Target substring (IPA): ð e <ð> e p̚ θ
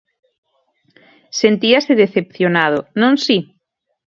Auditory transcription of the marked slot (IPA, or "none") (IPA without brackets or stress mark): θ